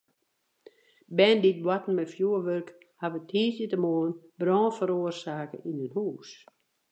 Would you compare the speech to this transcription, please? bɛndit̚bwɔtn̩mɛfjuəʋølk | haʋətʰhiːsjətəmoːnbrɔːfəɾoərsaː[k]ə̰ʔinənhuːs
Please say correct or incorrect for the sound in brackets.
correct